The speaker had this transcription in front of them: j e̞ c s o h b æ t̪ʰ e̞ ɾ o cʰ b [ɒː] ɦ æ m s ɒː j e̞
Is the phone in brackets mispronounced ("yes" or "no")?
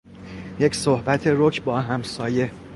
no